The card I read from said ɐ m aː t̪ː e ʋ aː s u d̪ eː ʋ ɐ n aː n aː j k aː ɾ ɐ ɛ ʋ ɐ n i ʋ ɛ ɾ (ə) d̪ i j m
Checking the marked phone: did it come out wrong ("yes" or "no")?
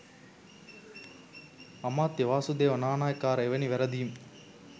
yes